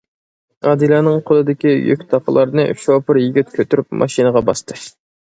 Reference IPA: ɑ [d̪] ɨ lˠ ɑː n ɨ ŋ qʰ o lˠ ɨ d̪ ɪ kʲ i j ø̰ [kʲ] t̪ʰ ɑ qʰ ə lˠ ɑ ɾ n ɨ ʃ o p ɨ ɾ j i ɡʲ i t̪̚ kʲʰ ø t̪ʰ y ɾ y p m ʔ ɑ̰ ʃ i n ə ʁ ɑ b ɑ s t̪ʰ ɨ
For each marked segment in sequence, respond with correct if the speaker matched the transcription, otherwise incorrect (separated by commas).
correct, correct